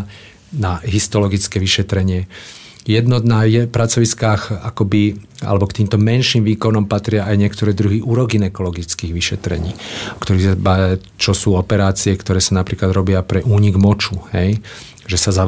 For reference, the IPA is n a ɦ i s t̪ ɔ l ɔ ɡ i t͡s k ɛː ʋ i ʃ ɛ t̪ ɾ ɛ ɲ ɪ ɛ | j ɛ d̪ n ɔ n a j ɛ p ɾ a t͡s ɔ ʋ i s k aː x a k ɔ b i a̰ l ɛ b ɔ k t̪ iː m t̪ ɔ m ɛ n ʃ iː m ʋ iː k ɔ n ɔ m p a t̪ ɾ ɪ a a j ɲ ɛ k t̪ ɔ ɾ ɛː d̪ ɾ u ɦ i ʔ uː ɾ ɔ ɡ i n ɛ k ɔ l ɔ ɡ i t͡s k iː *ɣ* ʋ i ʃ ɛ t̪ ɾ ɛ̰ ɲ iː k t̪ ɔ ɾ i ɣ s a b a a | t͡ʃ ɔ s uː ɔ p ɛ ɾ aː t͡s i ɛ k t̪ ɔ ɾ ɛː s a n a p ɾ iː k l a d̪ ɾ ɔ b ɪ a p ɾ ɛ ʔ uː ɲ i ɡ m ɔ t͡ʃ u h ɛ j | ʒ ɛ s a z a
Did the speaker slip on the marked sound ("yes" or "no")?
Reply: no